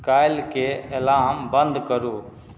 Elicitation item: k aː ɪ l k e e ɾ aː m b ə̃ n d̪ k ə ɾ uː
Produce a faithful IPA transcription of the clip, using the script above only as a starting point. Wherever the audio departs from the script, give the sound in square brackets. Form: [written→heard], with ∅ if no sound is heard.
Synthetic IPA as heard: k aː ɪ l k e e [ɾ→l] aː m b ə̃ n d̪ k ə ɾ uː

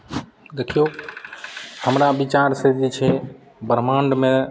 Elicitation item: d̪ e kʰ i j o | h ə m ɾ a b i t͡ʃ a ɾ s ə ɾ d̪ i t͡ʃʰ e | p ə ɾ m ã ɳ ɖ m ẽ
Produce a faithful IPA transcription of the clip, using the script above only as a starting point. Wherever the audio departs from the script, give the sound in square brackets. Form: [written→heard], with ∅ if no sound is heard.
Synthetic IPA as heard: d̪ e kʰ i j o | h ə m ɾ a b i t͡ʃ a ɾ s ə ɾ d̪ i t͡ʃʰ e | [p→b] ə ɾ m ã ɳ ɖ m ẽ

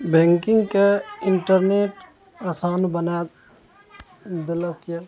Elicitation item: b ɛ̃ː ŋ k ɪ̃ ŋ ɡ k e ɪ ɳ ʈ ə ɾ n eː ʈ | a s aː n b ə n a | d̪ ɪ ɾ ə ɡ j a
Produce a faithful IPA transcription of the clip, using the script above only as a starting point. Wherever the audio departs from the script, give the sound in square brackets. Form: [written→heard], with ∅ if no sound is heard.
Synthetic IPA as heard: b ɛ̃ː ŋ k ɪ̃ ŋ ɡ k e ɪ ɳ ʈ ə ɾ n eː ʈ | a s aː n b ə n a | d̪ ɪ [ɾ→l] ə [ɡ→k] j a

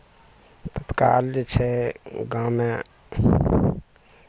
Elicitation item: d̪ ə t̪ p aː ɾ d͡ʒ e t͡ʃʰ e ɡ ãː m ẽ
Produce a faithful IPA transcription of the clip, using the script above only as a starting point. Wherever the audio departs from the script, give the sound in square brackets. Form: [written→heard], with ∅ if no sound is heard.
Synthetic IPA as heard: [d̪→t̪] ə t̪ [p→k] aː [ɾ→l] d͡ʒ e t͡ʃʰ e ɡ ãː m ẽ

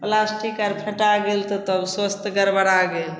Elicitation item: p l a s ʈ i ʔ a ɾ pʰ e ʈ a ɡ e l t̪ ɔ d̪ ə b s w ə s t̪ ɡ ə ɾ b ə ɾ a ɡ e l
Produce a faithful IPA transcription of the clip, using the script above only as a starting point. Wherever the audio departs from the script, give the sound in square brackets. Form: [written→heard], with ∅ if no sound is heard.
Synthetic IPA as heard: p l a s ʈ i [ʔ→k] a ɾ pʰ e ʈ a ɡ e l t̪ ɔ [d̪→t̪] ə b s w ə s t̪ ɡ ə ɾ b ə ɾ a ɡ e l

